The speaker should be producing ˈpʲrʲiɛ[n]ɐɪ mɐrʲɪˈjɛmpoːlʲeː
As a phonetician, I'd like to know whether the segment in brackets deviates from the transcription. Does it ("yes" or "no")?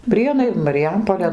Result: no